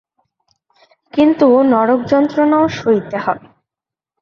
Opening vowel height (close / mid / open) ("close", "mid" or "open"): close